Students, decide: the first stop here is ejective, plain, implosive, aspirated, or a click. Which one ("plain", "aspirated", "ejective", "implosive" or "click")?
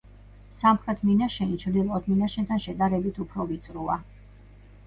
aspirated